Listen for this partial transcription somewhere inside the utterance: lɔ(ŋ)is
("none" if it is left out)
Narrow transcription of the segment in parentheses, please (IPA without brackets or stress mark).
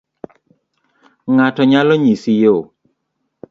ɲ